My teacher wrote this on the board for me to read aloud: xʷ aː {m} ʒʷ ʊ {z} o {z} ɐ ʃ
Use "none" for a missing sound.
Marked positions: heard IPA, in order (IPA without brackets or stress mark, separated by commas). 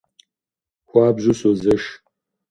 b, s, z